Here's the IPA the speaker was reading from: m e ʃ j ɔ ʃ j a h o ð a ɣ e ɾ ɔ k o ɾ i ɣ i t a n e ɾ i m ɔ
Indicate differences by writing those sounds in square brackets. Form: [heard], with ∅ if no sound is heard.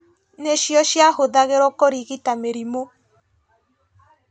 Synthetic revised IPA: [n] e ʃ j ɔ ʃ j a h o ð a ɣ e ɾ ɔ k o ɾ i ɣ i t a [m] e ɾ i m [o]